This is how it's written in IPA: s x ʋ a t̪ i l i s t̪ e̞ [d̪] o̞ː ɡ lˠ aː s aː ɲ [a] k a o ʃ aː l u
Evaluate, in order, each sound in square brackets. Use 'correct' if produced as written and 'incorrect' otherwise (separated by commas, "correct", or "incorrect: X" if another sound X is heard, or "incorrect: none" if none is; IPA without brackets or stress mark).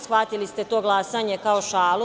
incorrect: t̪, incorrect: e